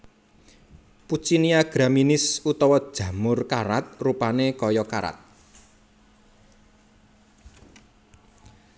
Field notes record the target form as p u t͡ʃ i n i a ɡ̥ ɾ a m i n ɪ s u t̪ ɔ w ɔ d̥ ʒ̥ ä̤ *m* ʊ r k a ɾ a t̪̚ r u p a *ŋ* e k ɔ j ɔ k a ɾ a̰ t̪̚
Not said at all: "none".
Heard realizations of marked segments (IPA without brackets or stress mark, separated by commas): m, n